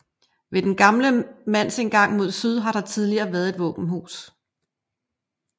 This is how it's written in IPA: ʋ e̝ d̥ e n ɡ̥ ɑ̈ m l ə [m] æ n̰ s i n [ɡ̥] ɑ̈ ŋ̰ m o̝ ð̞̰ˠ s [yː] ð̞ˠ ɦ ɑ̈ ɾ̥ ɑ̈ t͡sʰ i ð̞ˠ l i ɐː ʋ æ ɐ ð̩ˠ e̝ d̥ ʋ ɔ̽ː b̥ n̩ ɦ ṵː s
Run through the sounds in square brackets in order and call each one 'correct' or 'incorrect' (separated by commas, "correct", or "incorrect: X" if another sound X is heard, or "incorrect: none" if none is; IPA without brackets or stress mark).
correct, correct, incorrect: y